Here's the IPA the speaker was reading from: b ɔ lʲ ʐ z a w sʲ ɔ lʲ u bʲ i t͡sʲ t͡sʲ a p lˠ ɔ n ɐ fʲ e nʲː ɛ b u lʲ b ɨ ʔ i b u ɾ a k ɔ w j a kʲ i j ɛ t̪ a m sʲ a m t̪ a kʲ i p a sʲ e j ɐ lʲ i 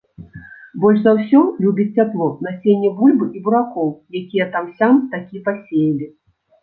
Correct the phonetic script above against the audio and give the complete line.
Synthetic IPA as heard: b ɔ lʲ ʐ z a w sʲ ɔ lʲ u bʲ i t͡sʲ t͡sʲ a p lˠ ɔ n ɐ sʲ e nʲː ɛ b u lʲ b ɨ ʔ i b u ɾ a k ɔ w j a kʲ i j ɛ t̪ a m sʲ a m t̪ a kʲ i p a sʲ e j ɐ lʲ i